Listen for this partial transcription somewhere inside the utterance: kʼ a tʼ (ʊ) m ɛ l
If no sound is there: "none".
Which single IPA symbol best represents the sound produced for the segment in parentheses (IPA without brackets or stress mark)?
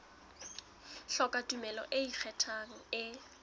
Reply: u